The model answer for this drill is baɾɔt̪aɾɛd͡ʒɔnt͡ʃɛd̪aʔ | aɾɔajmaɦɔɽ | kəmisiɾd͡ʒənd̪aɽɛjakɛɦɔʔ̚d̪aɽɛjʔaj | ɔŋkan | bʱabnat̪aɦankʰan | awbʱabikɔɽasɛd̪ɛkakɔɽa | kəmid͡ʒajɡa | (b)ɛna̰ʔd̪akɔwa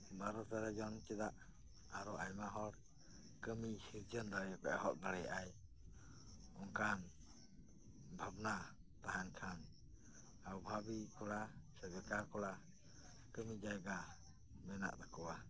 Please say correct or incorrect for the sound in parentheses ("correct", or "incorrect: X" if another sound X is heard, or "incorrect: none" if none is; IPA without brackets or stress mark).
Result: incorrect: m